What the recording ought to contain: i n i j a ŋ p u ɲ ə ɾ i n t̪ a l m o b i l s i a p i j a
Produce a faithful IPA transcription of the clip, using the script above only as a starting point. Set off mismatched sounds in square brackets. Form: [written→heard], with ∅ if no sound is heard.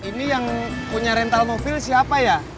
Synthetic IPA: i n i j a ŋ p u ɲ [ə→a] ɾ [i→ɛ] n t̪ a l m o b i l s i a p [i→a] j a